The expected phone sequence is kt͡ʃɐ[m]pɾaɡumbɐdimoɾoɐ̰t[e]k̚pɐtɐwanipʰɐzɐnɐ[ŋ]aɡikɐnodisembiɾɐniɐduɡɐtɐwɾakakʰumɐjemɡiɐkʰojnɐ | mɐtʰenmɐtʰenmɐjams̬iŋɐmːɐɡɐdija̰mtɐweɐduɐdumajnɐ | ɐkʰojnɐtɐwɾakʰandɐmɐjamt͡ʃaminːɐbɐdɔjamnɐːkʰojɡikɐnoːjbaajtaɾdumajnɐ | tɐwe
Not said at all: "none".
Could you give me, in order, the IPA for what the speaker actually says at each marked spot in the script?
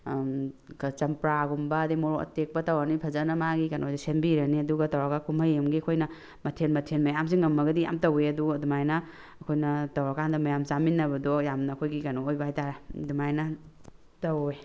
m, e, m

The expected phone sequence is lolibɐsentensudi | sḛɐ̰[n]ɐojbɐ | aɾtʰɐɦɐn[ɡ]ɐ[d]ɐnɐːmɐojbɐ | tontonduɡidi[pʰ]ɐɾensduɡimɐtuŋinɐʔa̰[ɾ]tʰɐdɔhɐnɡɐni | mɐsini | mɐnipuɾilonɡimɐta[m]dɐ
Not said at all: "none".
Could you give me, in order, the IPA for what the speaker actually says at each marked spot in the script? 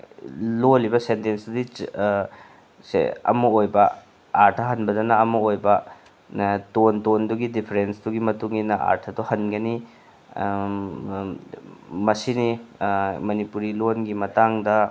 m, b, d, pʰ, ɾ, ŋ

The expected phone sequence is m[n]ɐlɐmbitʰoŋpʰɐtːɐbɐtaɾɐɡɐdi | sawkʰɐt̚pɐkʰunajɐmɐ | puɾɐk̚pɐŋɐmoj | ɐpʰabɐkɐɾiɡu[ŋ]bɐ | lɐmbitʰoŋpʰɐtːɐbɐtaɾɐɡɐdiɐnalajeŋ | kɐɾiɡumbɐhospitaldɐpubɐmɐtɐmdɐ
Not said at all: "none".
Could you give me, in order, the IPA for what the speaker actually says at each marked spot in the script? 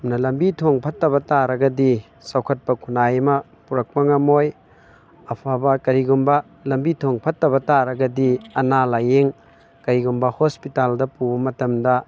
n, m

